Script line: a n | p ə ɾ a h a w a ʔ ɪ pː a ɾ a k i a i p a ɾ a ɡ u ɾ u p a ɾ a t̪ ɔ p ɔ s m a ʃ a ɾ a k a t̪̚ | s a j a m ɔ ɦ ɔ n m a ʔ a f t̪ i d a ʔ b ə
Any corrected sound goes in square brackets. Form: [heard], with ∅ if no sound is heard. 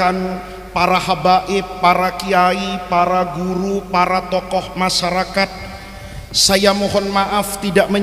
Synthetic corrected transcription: a n | p [a] ɾ a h a [b] a ʔ ɪ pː a ɾ a k i a i p a ɾ a ɡ u ɾ u p a ɾ a t̪ ɔ [k] ɔ [h] m a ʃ a ɾ a k a t̪̚ | s a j a m ɔ ɦ ɔ n m a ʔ a f t̪ i d a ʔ [m] ə